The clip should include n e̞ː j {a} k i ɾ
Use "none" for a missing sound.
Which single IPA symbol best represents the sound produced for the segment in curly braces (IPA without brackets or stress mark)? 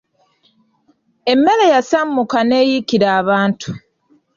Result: i